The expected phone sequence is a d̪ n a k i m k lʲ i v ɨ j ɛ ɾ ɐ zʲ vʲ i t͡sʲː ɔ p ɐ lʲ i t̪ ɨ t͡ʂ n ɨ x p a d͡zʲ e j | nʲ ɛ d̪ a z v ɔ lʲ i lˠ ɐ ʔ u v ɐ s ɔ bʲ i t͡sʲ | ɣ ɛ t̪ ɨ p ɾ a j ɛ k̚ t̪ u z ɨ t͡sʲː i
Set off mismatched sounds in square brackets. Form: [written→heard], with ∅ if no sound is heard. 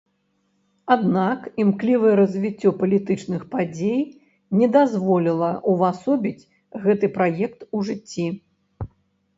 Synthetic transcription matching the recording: a d̪ n a k i m k lʲ i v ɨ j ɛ ɾ ɐ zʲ vʲ i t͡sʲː ɔ p ɐ lʲ i t̪ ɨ t͡ʂ n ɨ x p a d͡zʲ e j | nʲ ɛ d̪ a z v ɔ lʲ i lˠ ɐ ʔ u v [ɐ→a] s ɔ bʲ i t͡sʲ | ɣ ɛ t̪ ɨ p ɾ a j ɛ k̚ t̪ u [z→ʐ] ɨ t͡sʲː i